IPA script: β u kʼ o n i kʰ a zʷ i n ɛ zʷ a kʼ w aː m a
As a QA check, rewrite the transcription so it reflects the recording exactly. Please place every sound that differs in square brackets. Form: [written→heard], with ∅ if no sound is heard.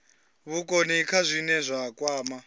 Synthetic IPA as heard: β u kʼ o n i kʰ a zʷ i n ɛ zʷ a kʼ w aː m a

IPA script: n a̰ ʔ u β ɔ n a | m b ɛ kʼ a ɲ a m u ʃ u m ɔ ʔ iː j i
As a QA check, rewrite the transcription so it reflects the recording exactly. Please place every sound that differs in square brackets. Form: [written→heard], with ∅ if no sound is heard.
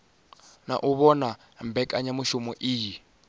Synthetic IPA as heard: n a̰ ʔ u β ɔ n a | m b ɛ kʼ a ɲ a m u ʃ u m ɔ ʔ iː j i

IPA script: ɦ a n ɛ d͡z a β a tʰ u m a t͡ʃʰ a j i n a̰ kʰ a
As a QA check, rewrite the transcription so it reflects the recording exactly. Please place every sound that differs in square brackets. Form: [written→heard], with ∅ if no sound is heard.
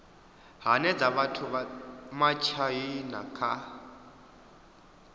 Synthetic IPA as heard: ɦ a n ɛ d͡z a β a tʰ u m a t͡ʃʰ a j i n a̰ kʰ a

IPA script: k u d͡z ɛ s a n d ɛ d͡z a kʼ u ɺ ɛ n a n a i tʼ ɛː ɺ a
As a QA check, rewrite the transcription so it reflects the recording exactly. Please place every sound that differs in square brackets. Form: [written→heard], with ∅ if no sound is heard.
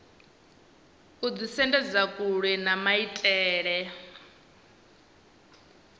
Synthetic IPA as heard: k u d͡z [ɛ→i] s [a→ɛ] n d ɛ d͡z a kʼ u ɺ ɛ n a [n→m] a i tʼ ɛː ɺ [a→ɛ]

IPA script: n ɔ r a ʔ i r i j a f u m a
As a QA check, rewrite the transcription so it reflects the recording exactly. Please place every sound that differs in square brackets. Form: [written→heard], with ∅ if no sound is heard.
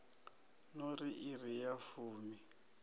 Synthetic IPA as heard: n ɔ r [a→i] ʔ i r i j a f [u→uː] m [a→i]

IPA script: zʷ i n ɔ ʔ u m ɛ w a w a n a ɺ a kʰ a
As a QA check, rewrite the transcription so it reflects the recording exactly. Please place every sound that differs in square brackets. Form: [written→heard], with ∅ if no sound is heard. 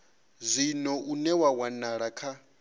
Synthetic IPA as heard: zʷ i n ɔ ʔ u [m→n] ɛ w a w a n a ɺ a kʰ a

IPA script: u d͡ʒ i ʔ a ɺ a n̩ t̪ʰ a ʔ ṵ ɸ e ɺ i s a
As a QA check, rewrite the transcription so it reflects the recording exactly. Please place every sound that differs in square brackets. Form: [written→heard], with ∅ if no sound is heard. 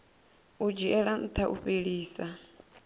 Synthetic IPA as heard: u d͡ʒ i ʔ [a→ɛ] ɺ a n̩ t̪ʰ a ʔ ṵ ɸ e ɺ [i→iː] s a

